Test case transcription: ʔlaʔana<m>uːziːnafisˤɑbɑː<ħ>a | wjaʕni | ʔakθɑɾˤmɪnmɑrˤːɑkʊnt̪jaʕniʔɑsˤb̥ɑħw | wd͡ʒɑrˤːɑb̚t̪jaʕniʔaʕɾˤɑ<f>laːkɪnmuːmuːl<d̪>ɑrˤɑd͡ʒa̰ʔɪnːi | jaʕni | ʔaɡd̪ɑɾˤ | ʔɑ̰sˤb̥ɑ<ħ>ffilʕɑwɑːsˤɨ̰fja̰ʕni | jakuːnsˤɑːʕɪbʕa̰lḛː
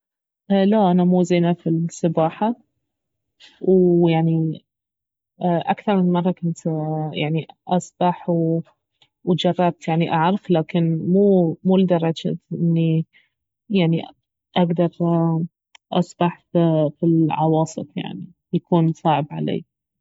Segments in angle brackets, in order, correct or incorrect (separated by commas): correct, correct, correct, correct, correct